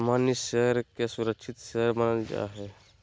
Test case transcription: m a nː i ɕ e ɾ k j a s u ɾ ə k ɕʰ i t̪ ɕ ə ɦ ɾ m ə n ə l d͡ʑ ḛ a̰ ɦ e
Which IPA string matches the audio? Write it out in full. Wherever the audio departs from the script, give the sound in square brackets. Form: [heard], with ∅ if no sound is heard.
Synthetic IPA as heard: m a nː i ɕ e ɾ k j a s u ɾ ə k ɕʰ i t̪ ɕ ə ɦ ɾ m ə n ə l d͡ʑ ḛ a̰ ɦ e